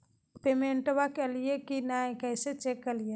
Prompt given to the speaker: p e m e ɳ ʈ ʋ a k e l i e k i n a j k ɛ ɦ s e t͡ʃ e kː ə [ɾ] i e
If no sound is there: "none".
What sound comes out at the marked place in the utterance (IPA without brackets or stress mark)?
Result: l